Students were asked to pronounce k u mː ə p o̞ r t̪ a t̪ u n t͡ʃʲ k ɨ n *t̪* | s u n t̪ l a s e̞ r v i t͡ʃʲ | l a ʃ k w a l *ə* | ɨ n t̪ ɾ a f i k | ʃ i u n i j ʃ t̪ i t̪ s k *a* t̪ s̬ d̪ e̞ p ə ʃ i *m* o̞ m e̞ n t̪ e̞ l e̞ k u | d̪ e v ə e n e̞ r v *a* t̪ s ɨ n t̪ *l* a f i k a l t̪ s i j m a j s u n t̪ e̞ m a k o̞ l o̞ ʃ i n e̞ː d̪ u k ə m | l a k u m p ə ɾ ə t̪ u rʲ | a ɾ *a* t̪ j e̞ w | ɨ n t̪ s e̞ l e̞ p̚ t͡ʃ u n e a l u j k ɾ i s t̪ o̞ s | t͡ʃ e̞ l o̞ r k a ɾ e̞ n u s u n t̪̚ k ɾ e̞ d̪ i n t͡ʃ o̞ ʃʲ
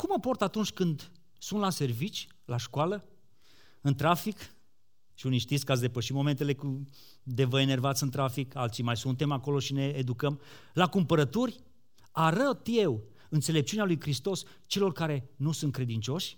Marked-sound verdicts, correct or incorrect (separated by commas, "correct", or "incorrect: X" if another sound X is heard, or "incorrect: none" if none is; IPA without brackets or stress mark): incorrect: d̪, correct, correct, correct, correct, incorrect: ɾ, incorrect: ə